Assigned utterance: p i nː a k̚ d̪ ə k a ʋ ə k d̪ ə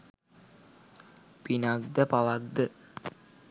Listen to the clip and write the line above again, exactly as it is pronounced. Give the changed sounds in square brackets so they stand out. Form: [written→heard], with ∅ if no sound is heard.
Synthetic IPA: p i [nː→n] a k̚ d̪ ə [k→p] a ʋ [ə→a] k d̪ ə